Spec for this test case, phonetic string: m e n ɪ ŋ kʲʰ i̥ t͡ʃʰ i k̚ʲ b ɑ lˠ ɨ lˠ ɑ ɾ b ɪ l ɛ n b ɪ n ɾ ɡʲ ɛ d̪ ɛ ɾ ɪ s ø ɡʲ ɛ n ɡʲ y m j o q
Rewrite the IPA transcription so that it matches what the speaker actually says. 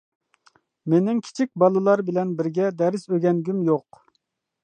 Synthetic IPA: m e n ɪ ŋ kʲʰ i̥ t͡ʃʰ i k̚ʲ b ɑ lˠ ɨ lˠ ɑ ɾ b ɪ l ɛ n b ɪ ɾ ɡʲ ɛ d̪ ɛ ɾ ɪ s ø ɡʲ ɛ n ɡʲ y m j o q